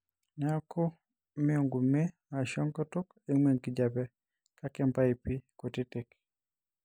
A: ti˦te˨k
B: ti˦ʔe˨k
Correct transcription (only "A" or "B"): A